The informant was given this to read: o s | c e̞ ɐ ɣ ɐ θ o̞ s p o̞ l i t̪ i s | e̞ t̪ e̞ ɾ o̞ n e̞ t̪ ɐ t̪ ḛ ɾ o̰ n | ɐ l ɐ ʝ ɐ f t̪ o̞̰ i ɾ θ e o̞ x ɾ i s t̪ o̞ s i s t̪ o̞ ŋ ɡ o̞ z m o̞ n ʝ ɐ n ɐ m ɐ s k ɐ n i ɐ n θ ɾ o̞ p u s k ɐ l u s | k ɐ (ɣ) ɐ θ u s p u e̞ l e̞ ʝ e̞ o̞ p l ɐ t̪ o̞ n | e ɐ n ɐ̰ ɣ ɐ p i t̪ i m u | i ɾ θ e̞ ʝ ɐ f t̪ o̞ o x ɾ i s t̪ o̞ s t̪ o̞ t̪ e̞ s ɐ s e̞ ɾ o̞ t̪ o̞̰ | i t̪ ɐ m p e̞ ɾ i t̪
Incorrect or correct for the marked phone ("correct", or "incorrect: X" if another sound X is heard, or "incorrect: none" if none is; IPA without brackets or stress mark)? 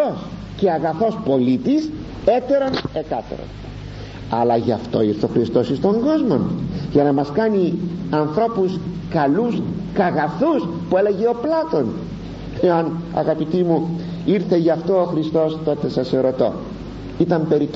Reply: correct